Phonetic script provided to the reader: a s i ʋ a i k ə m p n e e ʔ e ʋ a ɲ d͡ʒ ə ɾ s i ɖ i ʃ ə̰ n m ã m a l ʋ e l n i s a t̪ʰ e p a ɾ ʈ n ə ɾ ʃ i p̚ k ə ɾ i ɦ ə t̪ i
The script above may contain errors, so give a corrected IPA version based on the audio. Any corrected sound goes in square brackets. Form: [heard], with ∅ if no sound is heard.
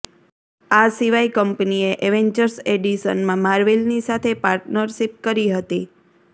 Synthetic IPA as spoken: a s i ʋ a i k ə m p n [i] e ʔ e ʋ [e] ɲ d͡ʒ ə ɾ s [e] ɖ i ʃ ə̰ n m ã m a [ɾ] ʋ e l n i s a t̪ʰ e p a ɾ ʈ n ə ɾ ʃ i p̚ k ə ɾ i ɦ ə t̪ i